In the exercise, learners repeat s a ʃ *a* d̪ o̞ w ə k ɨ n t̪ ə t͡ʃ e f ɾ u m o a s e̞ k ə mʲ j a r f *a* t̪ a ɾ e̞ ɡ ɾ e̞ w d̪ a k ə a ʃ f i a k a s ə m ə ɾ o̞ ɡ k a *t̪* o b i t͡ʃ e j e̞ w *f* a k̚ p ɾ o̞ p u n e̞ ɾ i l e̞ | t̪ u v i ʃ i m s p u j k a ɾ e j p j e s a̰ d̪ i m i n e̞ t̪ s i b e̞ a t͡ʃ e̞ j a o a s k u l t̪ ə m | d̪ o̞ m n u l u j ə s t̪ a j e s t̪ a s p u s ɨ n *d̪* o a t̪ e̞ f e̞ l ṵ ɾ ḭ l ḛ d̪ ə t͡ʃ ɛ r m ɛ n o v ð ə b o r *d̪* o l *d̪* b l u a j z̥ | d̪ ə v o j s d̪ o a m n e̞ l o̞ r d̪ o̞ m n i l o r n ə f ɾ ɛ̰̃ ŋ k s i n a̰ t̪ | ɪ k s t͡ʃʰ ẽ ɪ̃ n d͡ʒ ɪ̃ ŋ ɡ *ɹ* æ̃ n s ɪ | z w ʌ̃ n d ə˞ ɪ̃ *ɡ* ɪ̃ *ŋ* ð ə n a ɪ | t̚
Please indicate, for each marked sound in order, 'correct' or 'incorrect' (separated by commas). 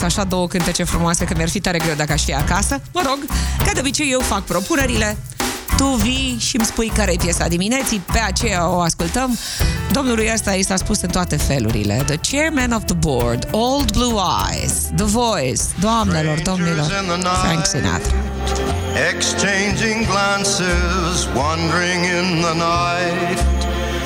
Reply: correct, incorrect, incorrect, correct, incorrect, correct, correct, incorrect, incorrect, incorrect